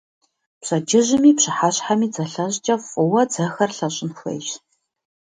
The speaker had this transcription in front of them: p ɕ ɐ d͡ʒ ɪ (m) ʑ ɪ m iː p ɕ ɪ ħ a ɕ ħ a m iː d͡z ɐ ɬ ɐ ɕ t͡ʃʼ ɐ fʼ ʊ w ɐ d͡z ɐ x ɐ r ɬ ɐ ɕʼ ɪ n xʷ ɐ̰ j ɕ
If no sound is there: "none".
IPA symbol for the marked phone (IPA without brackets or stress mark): none